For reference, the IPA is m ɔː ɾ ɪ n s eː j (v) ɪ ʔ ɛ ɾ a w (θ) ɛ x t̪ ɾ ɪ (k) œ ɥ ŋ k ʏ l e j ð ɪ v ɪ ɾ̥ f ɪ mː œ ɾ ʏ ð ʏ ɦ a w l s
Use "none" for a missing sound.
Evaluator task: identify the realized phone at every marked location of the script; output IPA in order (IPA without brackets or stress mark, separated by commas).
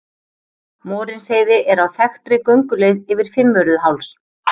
ð, θ, k